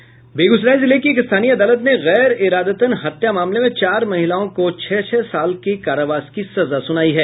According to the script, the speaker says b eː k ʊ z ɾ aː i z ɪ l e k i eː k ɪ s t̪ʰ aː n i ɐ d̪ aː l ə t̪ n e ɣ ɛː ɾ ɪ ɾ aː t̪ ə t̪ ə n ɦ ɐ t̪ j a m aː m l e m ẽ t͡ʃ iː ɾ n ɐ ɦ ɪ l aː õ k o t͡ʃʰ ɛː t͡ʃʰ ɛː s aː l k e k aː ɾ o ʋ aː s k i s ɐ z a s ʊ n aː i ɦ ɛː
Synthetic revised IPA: b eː ɡ ʊ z ɾ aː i z ɪ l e k i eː k ɪ s t̪ʰ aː n i ɐ d̪ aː l ə t̪ n e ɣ ɛː ɾ ɪ ɾ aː d̪ ə t̪ ə n ɦ ɐ t̪ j a m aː m l e m ẽ t͡ʃ aː ɾ m ɐ ɦ ɪ l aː õ k o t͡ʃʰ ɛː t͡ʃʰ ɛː s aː l k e k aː ɾ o ʋ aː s k i s ɐ z a s ʊ n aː i ɦ ɛː